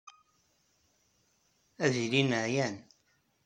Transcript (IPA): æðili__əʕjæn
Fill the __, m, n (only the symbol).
n